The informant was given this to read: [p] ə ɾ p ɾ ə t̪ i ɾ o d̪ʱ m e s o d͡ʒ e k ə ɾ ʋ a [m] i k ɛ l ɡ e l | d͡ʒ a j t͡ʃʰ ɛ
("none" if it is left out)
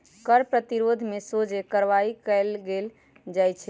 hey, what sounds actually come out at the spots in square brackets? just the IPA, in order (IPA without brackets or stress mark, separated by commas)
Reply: k, none